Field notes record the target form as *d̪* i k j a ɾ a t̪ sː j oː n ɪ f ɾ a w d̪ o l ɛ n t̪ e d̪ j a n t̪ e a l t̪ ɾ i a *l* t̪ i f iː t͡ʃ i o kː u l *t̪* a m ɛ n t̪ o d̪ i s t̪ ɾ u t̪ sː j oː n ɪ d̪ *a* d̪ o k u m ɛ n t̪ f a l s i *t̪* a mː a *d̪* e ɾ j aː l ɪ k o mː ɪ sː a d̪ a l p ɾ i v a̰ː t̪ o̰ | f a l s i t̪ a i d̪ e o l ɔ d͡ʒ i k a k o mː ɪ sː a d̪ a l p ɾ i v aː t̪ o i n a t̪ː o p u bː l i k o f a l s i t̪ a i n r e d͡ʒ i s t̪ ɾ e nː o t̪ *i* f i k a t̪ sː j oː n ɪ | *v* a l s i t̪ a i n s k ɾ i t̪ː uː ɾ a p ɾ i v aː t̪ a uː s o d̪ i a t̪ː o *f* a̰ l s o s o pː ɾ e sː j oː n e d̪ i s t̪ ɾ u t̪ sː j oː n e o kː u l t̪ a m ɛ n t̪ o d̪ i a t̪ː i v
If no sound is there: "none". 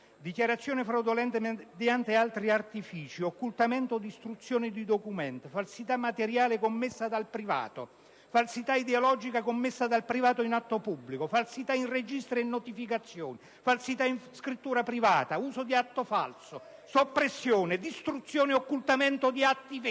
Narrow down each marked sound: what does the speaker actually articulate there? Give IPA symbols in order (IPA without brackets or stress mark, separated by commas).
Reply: d̪, r, t̪, i, t̪, t̪, i, f, f